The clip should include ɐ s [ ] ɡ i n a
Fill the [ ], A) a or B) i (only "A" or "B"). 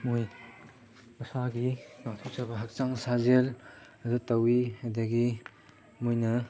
A